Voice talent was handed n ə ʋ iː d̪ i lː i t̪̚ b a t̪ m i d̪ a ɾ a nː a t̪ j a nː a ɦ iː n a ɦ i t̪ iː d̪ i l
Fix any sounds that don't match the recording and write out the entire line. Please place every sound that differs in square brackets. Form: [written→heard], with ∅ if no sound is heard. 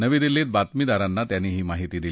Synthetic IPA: n ə ʋ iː d̪ i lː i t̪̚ b a t̪ m i d̪ a ɾ a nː a t̪ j a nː [a→i] ɦ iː [n→m] a ɦ i t̪ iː d̪ i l